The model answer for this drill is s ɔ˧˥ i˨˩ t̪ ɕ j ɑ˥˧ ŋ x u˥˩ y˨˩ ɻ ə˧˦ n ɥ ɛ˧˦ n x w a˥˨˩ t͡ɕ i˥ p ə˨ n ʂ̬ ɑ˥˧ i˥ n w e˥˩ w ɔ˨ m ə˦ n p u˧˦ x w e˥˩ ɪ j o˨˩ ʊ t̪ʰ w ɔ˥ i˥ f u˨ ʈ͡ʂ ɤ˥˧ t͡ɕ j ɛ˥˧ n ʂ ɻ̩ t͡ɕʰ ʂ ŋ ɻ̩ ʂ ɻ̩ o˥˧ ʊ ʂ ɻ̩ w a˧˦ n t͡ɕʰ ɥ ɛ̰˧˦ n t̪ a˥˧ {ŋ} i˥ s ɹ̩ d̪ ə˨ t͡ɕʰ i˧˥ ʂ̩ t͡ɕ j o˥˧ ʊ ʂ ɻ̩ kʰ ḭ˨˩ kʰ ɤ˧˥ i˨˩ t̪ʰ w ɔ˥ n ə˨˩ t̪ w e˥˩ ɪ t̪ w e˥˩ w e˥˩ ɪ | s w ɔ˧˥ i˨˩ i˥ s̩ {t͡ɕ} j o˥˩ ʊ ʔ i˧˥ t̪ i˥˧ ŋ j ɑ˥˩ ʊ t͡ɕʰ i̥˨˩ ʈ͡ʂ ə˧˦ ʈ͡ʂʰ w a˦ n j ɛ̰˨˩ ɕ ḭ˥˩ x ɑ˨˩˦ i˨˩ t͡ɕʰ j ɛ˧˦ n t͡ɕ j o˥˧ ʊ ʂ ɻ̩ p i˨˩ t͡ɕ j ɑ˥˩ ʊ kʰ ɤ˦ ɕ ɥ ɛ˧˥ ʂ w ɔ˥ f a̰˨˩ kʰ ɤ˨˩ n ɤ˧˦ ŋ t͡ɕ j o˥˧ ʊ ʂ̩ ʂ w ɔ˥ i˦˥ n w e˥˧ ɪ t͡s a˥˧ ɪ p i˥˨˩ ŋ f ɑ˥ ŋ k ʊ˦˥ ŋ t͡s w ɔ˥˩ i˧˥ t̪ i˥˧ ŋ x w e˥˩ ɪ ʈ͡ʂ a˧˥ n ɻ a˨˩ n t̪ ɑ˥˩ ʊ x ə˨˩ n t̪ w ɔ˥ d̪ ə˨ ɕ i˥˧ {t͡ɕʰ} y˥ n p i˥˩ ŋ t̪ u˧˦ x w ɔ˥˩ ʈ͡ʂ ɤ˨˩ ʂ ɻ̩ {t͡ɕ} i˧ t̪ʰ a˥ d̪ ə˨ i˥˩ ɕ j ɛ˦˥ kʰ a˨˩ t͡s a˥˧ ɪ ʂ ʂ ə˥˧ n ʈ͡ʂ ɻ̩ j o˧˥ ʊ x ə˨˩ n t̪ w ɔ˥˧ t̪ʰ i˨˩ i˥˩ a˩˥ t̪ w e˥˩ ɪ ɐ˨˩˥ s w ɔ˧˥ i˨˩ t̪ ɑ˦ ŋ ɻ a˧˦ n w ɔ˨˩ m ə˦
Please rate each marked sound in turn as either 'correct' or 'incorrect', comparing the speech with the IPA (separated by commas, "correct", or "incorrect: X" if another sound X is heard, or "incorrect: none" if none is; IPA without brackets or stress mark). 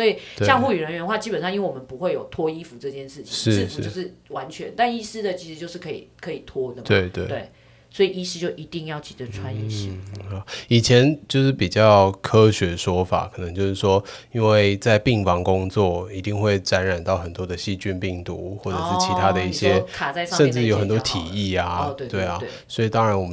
incorrect: n, correct, incorrect: t͡ɕ, incorrect: t͡ɕʰ